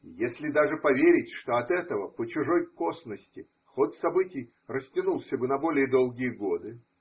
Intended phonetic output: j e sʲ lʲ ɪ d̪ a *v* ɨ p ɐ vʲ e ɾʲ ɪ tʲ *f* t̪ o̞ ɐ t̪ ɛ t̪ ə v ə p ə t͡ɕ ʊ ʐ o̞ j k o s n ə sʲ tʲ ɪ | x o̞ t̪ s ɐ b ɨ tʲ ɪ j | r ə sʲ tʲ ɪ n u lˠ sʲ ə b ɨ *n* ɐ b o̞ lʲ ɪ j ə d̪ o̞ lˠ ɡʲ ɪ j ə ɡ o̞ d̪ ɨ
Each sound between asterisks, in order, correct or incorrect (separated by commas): incorrect, incorrect, correct